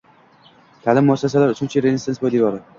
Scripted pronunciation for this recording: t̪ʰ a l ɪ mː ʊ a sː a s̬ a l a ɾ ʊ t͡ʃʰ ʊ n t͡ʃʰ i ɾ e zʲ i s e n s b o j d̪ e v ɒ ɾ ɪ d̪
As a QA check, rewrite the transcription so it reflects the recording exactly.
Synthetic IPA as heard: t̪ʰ a l ɪ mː ʊ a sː a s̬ a l a ɾ ʊ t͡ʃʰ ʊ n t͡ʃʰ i ɾ e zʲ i s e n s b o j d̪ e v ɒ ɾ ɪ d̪